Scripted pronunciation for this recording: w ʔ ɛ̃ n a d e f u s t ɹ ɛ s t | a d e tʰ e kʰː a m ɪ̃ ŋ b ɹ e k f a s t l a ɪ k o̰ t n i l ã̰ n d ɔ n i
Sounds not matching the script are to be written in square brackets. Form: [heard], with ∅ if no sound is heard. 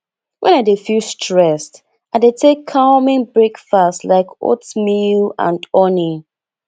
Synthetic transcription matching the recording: w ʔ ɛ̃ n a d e f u s t ɹ ɛ s t | a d e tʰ e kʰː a m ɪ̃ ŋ b ɹ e k f a s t l a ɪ k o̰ t [m] i l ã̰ n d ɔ n i